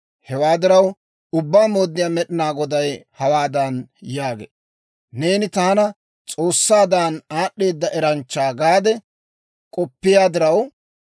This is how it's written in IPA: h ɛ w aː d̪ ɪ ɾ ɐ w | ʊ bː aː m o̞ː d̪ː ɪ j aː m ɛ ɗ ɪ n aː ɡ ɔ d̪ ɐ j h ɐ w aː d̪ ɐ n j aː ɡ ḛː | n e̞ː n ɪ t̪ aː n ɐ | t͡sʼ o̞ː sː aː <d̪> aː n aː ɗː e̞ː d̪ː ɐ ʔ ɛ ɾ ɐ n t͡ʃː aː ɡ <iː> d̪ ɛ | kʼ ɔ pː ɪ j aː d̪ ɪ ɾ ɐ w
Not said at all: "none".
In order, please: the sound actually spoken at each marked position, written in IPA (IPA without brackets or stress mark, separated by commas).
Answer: d̪, aː